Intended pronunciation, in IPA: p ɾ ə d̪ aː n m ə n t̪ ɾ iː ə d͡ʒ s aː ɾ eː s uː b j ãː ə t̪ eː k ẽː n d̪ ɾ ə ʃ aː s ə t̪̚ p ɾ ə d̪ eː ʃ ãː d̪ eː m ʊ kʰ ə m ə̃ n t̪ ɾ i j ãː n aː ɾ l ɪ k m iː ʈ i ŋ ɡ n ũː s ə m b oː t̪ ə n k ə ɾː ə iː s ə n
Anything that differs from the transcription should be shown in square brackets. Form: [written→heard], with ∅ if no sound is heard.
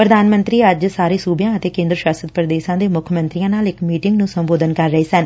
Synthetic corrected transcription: p ɾ ə d̪ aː n m ə n t̪ ɾ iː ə d͡ʒ s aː ɾ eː s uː b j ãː ə t̪ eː k ẽː n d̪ ɾ ə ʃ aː s ə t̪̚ p ɾ ə d̪ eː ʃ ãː d̪ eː m ʊ kʰ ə m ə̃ n t̪ ɾ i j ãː n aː [ɾ→∅] l ɪ k m iː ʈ [i→ɪ] ŋ ɡ n ũː s ə m b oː [t̪→d̪] ə n k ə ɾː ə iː s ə n